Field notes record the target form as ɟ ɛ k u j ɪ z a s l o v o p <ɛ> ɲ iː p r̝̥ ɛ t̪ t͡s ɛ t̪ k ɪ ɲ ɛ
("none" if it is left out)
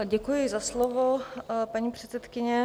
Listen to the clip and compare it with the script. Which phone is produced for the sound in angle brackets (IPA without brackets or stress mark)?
a